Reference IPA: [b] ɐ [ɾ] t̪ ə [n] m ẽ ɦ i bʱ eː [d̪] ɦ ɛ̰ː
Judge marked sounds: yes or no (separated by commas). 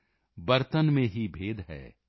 yes, yes, yes, yes